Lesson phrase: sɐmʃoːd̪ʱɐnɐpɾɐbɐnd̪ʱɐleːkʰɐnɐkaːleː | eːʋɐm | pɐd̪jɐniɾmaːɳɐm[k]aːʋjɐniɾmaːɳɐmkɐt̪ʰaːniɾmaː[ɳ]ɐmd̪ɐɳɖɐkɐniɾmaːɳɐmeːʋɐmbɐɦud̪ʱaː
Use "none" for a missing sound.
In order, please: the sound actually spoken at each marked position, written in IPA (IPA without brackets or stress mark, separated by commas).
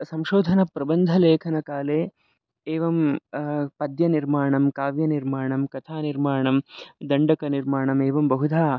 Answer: k, ɳ